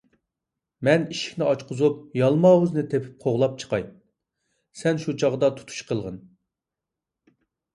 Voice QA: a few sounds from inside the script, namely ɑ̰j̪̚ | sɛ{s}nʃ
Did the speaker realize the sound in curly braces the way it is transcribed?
no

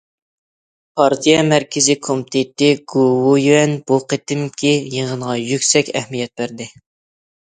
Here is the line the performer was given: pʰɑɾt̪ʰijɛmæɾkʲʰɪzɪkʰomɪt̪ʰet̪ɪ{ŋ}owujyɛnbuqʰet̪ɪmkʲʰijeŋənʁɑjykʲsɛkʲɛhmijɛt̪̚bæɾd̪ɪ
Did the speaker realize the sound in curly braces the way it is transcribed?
no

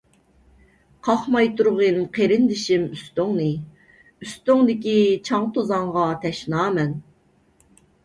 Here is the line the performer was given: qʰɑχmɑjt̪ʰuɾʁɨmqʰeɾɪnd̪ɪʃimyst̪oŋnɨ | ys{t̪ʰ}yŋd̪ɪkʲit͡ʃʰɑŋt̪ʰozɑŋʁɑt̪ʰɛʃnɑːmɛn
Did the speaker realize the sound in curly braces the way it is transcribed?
no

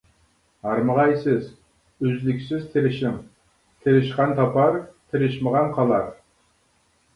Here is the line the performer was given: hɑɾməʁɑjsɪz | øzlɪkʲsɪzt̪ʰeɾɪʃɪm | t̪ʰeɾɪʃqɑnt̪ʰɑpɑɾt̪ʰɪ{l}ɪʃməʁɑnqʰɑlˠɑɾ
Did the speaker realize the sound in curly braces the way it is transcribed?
no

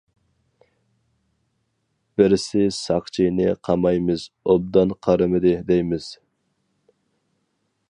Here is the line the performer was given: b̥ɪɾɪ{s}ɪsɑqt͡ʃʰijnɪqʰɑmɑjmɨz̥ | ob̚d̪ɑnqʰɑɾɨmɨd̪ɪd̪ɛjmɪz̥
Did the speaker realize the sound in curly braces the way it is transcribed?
yes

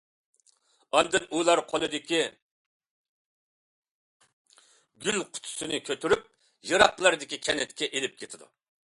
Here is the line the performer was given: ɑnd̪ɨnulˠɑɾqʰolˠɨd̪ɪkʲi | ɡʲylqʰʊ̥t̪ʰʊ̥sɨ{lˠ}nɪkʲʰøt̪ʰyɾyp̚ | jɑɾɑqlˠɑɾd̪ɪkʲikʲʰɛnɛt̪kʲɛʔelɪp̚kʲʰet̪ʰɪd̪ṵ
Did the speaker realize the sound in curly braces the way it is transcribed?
no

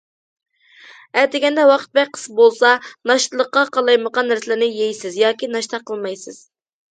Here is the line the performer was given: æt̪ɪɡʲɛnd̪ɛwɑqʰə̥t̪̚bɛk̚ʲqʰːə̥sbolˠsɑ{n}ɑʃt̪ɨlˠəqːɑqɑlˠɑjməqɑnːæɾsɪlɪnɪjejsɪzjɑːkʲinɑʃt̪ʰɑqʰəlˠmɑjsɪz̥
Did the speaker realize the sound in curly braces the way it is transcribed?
yes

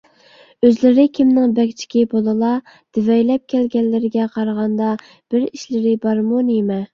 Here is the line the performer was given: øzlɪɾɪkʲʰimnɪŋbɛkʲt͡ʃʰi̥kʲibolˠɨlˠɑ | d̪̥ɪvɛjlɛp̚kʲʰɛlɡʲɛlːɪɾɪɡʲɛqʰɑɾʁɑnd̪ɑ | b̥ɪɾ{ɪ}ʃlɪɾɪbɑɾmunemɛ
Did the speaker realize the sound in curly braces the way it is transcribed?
no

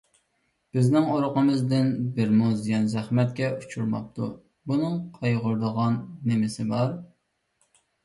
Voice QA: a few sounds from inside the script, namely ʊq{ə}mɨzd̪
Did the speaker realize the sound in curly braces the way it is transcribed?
yes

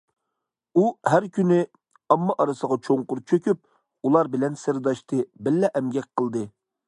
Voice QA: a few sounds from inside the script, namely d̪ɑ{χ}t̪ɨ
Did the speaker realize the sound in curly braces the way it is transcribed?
no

